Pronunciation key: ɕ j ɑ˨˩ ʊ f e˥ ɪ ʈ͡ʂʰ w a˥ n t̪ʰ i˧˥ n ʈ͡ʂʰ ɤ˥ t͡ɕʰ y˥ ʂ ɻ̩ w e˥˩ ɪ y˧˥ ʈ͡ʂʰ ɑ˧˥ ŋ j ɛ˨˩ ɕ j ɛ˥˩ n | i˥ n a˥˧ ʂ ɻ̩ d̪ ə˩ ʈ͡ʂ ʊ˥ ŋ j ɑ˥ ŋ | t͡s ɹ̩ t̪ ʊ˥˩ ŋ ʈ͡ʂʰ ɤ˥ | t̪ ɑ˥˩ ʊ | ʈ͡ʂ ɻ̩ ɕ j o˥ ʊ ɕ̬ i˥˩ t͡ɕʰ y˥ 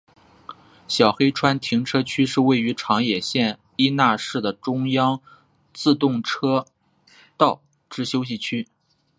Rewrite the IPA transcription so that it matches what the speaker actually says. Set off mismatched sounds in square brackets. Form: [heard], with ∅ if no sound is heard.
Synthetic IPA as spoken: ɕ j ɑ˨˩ ʊ [x] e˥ ɪ ʈ͡ʂʰ w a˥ n t̪ʰ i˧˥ [ŋ] ʈ͡ʂʰ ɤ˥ t͡ɕʰ y˥ ʂ ɻ̩ w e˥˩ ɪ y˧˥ ʈ͡ʂʰ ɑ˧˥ ŋ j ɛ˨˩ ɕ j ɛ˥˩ n | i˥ n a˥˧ ʂ ɻ̩ d̪ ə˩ ʈ͡ʂ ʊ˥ ŋ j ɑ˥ ŋ | t͡s ɹ̩ t̪ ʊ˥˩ ŋ ʈ͡ʂʰ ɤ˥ | t̪ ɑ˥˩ ʊ | ʈ͡ʂ ɻ̩ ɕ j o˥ ʊ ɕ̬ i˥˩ t͡ɕʰ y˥